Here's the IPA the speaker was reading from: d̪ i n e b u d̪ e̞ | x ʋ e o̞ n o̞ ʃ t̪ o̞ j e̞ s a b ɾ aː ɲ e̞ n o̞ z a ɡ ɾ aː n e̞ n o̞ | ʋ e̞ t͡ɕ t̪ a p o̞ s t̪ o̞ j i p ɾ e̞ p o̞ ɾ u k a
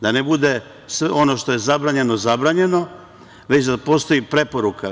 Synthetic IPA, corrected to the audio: d̪ a n e b u d̪ e̞ | s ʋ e o̞ n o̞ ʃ t̪ o̞ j e̞ z a b ɾ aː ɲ e̞ n o̞ z a b ɾ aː ɲ e̞ n o̞ | ʋ e̞ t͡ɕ d̪ a p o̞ s t̪ o̞ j i p ɾ e̞ p o̞ ɾ u k a